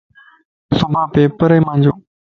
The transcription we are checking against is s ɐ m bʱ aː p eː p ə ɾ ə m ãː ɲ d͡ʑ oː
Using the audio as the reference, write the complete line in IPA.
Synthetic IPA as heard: s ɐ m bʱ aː p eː p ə ɾ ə m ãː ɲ d͡ʑ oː